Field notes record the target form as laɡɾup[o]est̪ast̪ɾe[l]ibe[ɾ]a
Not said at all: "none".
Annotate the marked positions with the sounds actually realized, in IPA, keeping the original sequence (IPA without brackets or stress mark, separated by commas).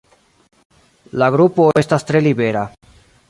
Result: o, l, ɾ